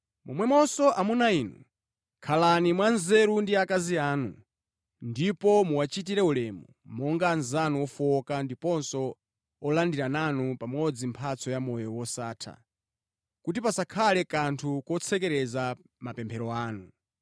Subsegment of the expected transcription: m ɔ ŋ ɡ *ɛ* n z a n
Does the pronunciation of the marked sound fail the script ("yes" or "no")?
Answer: yes